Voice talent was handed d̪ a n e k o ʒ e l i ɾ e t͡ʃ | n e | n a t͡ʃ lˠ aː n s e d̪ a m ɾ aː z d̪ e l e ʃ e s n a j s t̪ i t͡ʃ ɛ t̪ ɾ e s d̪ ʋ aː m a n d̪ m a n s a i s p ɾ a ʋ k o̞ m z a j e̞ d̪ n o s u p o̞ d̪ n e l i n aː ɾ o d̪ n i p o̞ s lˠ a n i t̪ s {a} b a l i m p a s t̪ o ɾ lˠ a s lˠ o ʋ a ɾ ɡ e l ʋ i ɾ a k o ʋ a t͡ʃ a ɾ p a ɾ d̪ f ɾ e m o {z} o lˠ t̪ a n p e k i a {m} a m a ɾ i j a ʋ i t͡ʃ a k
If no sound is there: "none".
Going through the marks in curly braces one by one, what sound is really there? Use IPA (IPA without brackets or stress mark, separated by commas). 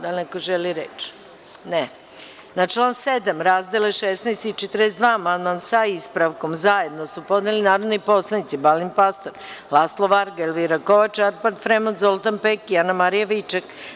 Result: i, z, n